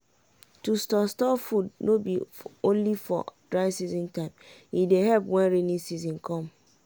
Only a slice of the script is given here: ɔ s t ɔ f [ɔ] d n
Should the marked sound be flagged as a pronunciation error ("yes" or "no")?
yes